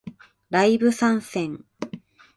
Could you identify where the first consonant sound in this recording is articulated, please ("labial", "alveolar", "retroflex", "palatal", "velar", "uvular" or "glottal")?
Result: alveolar